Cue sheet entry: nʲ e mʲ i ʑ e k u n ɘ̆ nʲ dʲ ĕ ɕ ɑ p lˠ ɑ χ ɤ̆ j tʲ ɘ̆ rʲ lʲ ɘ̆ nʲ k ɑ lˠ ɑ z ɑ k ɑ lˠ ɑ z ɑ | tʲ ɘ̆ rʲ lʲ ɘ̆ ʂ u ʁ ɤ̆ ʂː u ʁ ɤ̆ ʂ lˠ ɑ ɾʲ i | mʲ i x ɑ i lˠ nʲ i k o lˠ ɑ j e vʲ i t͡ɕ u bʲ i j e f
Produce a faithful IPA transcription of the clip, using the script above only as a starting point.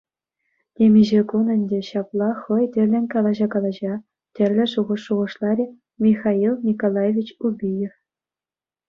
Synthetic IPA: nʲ e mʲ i ʑ e k u n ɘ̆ nʲ dʲ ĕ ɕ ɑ p lˠ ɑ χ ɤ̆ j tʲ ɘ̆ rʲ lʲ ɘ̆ nʲ k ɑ lˠ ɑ ʑ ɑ k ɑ lˠ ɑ ʑ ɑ | tʲ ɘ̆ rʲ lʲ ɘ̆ ʂ u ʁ ɤ̆ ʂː u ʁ ɤ̆ ʂ lˠ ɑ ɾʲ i | mʲ i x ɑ i lˠ nʲ i k o lˠ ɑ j e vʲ i t͡ɕ u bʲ i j e f